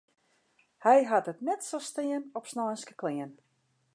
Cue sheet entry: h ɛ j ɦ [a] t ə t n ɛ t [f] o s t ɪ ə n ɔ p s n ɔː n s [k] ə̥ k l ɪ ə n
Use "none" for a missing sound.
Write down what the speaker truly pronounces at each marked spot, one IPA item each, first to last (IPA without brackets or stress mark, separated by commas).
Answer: a, s, k